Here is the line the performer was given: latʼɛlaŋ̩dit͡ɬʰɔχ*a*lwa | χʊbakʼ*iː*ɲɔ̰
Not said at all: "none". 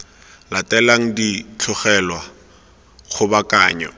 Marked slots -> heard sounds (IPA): ɛ, aː

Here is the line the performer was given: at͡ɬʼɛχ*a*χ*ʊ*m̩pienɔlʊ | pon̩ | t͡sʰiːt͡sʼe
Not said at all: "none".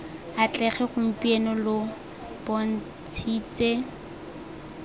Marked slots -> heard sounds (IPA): ɛ, ʊ

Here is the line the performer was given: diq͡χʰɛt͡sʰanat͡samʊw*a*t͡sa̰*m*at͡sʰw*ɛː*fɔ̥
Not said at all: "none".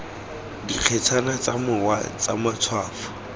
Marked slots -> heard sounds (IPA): a, m, aː

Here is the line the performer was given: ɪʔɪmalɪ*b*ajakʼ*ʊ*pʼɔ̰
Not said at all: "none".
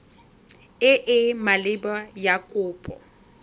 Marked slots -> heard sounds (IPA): b, ʊː

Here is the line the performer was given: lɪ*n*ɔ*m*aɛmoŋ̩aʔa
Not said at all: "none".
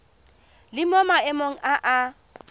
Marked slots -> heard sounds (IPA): m, m

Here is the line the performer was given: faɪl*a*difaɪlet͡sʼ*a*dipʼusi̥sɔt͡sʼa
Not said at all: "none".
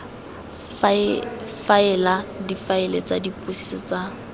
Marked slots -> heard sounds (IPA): a, a

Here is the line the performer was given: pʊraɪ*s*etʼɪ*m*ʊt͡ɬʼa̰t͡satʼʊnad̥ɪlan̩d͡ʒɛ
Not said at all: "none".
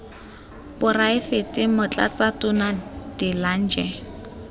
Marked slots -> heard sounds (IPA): f, m

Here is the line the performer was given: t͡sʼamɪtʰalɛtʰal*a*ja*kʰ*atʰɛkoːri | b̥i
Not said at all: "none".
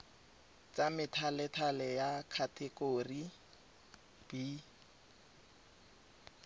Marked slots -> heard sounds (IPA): ɛ, kʰ

